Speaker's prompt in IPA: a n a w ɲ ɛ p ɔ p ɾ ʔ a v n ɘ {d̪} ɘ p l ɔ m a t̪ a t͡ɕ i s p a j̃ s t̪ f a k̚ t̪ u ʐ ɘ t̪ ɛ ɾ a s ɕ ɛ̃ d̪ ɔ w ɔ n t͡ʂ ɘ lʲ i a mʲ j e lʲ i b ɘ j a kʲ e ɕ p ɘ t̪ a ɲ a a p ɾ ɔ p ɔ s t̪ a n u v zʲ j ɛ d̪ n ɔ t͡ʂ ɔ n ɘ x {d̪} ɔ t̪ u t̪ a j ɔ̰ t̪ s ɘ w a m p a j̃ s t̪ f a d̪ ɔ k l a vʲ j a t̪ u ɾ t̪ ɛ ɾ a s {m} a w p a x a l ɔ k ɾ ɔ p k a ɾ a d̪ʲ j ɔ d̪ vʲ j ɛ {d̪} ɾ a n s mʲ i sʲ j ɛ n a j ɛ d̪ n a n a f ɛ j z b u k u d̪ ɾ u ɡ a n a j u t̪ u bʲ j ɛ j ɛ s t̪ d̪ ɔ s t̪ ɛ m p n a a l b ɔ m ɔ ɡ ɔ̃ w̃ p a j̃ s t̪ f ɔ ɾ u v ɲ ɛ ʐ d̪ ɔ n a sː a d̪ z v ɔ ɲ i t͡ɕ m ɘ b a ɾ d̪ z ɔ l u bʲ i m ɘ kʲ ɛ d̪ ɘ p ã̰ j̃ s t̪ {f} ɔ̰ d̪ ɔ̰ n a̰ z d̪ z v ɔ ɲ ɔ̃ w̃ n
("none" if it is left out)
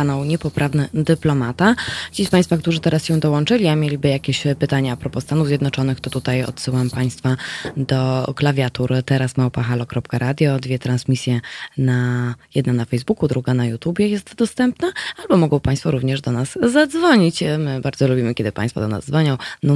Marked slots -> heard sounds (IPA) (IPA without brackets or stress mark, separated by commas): d̪, t̪, m, t̪, f